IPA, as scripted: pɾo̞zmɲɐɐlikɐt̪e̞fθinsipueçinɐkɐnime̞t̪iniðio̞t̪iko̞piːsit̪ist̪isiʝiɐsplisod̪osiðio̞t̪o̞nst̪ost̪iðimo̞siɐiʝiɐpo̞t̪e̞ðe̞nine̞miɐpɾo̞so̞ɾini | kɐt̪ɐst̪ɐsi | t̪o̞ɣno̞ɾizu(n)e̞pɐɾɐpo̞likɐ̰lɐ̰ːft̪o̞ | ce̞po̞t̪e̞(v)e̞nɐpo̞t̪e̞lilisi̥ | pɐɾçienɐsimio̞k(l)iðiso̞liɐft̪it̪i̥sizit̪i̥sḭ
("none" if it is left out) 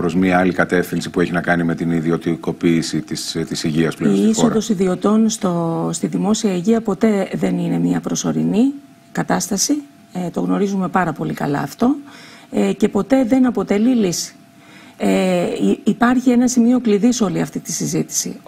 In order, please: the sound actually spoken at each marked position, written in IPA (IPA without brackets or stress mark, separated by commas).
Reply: m, ð, l